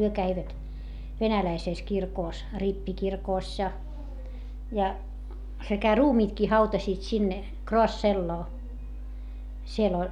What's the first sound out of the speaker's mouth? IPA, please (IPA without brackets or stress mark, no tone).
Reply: h